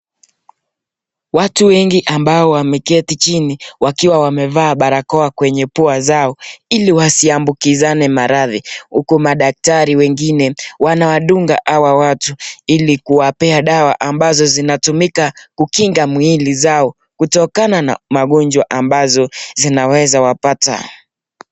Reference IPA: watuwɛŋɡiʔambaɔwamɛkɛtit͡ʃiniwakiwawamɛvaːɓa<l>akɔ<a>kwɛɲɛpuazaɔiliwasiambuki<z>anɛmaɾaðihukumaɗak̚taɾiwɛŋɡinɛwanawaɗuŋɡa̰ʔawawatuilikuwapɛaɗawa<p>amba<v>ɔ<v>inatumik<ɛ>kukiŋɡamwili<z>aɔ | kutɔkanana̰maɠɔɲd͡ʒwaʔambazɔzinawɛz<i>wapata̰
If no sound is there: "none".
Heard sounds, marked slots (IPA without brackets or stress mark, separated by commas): ɾ, a, z, ʔ, z, z, a, z, a